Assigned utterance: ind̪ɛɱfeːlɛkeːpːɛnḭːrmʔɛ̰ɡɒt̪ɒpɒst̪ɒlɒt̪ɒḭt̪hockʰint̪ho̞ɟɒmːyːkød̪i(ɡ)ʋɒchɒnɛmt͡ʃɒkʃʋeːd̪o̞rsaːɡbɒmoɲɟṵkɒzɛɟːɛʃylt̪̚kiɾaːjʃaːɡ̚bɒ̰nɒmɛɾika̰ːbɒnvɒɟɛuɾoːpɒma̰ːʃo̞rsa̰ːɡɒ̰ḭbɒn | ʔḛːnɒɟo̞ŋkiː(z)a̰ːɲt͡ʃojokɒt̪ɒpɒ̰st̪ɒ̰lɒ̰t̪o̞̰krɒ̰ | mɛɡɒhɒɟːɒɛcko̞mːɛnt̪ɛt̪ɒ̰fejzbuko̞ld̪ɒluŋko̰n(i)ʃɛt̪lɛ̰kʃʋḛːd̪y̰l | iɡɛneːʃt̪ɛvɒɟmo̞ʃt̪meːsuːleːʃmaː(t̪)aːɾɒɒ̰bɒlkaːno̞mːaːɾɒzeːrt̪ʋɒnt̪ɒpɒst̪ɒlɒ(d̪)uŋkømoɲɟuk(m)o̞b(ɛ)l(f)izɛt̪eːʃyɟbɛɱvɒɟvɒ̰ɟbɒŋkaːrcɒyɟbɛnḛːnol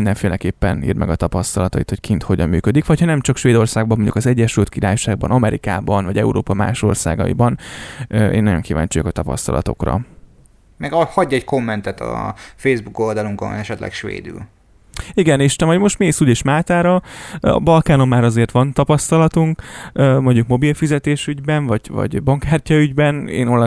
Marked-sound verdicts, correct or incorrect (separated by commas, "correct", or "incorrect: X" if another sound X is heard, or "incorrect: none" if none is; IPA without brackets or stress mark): incorrect: k, incorrect: v, incorrect: ɛ, correct, incorrect: t̪, correct, incorrect: i, correct